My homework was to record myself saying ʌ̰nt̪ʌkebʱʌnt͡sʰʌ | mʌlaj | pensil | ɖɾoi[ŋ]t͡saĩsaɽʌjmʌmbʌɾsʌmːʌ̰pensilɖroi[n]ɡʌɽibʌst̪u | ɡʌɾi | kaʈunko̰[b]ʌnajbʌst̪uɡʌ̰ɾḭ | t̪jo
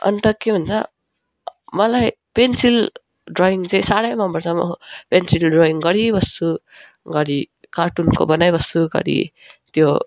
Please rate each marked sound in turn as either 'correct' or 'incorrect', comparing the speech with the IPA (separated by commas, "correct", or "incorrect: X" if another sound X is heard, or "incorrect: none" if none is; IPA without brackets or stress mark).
correct, incorrect: ŋ, correct